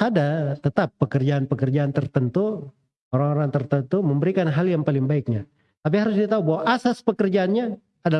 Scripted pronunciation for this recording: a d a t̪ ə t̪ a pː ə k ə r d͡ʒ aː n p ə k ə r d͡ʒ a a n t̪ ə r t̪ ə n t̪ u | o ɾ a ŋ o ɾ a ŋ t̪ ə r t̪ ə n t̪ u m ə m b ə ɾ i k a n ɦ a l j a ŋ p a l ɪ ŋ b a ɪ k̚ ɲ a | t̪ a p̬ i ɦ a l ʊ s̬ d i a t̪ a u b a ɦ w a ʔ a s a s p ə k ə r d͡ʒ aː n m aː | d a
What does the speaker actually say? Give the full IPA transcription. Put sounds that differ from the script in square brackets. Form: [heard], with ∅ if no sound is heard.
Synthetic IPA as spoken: a d a t̪ ə t̪ a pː ə k ə r d͡ʒ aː n p ə k ə r d͡ʒ a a n t̪ ə r t̪ ə n t̪ u | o ɾ a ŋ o ɾ a ŋ t̪ ə r t̪ ə n t̪ u m ə m b ə ɾ i k a n ɦ a l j a ŋ p a l ɪ ŋ b a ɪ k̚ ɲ a | t̪ a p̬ i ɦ a [ɾ] ʊ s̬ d i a t̪ a u b a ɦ w a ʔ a s a s p ə k ə r d͡ʒ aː n [ɲ] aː | d a